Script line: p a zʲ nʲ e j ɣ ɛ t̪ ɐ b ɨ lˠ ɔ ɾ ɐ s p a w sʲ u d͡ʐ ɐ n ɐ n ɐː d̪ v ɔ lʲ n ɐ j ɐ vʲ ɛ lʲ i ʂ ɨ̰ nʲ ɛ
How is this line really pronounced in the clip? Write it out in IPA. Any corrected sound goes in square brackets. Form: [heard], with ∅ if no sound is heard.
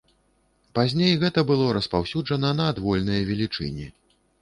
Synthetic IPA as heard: p a zʲ nʲ e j ɣ ɛ t̪ ɐ b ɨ lˠ ɔ ɾ ɐ s p a w sʲ u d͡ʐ ɐ n ɐ n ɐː d̪ v ɔ lʲ n ɐ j ɐ vʲ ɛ lʲ i [t͡ʂ] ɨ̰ nʲ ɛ